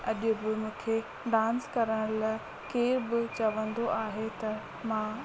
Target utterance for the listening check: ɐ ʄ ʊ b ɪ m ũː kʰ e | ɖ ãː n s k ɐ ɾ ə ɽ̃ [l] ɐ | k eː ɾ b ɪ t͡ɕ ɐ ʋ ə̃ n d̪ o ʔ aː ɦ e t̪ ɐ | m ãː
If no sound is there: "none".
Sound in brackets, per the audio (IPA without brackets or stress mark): l